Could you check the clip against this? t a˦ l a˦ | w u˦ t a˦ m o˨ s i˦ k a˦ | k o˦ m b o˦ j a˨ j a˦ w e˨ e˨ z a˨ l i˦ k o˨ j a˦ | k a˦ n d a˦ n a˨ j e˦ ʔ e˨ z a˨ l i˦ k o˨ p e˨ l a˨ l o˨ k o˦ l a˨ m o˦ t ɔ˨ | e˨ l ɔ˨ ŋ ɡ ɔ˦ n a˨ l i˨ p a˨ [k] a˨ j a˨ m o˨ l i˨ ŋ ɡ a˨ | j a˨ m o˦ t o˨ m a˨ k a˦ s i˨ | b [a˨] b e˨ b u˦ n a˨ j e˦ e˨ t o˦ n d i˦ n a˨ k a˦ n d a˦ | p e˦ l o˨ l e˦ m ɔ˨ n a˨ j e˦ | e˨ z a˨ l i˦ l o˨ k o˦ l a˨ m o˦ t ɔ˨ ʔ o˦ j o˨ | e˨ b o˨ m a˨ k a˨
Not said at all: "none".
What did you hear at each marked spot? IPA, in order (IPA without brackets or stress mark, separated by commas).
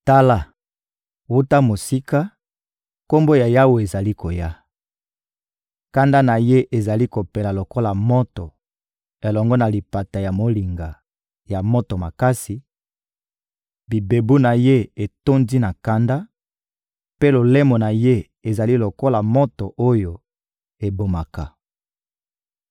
t, i˨